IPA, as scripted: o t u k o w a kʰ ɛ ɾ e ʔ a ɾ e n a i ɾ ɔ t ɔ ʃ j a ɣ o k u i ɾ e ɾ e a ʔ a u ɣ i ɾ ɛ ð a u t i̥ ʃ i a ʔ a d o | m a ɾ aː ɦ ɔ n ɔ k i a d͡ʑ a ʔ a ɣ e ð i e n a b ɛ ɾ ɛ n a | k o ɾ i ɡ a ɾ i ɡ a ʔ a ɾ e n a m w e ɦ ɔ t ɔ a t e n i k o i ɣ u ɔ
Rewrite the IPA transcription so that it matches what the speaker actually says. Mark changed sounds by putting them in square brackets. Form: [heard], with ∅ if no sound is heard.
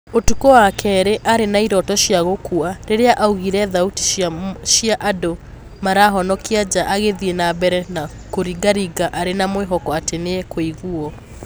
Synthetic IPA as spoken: o t u k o w a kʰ ɛ ɾ e ʔ a ɾ e n a i ɾ ɔ t ɔ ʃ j a ɣ o k u [a] ɾ e ɾ e a ʔ a u ɣ i ɾ ɛ ð a u t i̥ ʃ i a ʔ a d o | m a ɾ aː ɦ ɔ n ɔ k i a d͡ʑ a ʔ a ɣ e ð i e n a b ɛ ɾ ɛ n a | k o ɾ i ɡ a ɾ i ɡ a ʔ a ɾ e n a m w e ɦ ɔ [k] ɔ a t e n [e] k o i ɣ u ɔ